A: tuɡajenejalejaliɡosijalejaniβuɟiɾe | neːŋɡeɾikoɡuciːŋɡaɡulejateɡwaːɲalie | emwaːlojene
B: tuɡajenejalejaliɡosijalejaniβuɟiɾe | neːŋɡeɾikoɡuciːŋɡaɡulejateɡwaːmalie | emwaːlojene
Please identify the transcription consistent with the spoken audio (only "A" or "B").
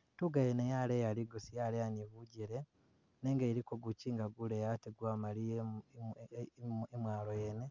B